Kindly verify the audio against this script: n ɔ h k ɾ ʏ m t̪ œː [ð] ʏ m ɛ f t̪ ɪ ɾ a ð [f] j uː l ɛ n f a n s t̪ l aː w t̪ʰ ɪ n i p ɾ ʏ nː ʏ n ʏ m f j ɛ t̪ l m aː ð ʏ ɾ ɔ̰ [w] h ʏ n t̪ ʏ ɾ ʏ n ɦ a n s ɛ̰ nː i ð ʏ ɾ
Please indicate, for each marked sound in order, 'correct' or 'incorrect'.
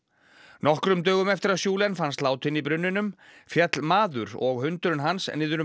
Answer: incorrect, incorrect, incorrect

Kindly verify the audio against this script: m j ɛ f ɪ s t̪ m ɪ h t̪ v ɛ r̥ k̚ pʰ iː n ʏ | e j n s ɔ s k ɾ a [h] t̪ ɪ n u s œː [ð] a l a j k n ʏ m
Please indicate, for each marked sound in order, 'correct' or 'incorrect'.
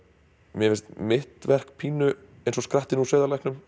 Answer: correct, correct

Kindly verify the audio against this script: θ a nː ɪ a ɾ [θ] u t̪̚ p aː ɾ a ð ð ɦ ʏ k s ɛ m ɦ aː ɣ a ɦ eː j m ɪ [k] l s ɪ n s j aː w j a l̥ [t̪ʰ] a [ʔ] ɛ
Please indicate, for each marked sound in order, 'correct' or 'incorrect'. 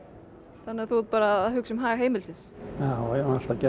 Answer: correct, incorrect, incorrect, incorrect

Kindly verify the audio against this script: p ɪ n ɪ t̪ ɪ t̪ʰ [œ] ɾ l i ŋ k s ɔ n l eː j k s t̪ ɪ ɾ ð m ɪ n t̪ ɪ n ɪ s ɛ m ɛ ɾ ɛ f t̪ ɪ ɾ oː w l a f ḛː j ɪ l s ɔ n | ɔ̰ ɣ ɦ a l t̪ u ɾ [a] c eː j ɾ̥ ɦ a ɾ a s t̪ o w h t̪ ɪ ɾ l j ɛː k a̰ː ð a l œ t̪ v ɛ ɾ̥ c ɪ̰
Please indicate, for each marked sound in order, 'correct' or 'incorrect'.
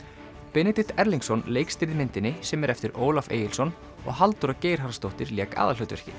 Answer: incorrect, correct

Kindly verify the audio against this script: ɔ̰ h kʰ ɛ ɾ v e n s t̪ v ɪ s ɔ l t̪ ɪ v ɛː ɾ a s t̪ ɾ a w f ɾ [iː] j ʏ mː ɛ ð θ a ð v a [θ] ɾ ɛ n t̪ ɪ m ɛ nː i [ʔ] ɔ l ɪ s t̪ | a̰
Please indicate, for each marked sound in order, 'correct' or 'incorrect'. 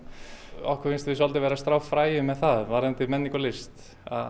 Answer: incorrect, incorrect, incorrect

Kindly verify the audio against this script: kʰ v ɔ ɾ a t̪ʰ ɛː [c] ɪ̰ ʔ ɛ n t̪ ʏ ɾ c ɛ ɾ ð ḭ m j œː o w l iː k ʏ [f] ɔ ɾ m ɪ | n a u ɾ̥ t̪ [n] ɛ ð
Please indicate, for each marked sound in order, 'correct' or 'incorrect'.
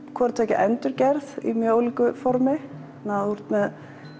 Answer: correct, correct, incorrect

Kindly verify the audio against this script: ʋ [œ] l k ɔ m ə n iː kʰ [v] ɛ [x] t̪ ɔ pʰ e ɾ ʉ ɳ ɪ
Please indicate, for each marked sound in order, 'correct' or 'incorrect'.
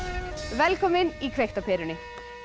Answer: incorrect, incorrect, incorrect

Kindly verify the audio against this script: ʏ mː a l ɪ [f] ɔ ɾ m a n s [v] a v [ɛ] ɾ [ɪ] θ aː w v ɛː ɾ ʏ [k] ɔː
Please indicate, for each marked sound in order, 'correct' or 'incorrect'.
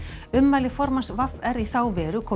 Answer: correct, correct, correct, incorrect, incorrect

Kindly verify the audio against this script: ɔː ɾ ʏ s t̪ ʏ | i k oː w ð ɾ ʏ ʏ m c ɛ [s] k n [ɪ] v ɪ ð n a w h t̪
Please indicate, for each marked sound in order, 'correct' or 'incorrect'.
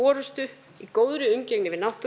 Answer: incorrect, correct

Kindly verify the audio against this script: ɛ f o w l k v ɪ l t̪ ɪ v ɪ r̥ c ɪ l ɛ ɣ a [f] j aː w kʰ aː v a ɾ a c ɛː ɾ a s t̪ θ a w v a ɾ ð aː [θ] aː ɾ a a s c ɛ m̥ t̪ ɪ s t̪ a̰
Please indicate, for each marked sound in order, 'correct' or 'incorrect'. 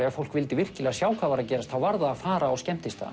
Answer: incorrect, incorrect

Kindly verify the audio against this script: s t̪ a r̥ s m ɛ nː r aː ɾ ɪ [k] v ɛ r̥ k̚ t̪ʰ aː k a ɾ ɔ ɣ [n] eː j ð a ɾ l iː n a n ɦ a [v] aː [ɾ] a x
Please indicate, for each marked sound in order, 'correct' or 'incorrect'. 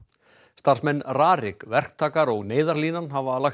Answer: correct, correct, correct, incorrect

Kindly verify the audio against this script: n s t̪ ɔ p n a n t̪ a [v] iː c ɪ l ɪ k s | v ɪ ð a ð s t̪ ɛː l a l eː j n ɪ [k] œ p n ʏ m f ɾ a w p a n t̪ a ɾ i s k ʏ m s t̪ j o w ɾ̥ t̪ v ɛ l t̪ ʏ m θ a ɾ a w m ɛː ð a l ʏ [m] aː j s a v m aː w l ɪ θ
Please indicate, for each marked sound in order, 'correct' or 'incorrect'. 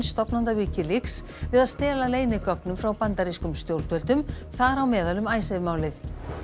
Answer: correct, correct, correct

